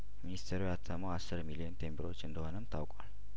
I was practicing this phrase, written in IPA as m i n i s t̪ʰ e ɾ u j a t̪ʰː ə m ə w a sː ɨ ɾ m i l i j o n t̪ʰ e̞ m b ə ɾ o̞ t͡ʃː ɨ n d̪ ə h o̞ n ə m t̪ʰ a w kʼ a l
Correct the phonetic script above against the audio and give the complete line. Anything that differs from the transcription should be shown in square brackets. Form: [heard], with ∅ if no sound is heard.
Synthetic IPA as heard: m i n i s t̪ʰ e ɾ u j a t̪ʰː ə m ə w a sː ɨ ɾ m i l i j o n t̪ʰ e̞ m b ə ɾ o̞ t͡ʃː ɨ n d̪ ə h o̞ n ə m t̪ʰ a w kʼ a l